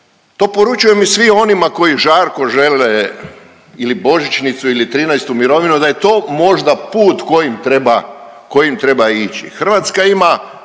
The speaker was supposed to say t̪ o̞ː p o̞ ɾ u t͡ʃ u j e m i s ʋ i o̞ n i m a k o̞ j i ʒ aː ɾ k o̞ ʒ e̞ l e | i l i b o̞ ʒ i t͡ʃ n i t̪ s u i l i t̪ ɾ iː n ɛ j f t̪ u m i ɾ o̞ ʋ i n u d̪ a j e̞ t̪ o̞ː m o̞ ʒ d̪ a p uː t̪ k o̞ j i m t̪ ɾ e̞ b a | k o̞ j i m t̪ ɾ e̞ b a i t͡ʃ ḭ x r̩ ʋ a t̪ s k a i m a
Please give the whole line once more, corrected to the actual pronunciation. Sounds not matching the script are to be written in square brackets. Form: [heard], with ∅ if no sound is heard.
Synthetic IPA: t̪ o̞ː p o̞ ɾ u t͡ʃ u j e m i s ʋ i o̞ n i m a k o̞ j i ʒ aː ɾ k o̞ ʒ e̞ l e | i l i b o̞ ʒ i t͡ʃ n i t̪ s u i l i t̪ ɾ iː n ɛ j [s] t̪ u m i ɾ o̞ ʋ i n u d̪ a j e̞ t̪ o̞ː m o̞ ʒ d̪ a p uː t̪ k o̞ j i m t̪ ɾ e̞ b a | k o̞ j i m t̪ ɾ e̞ b a i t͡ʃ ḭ x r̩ ʋ a t̪ s k a i m a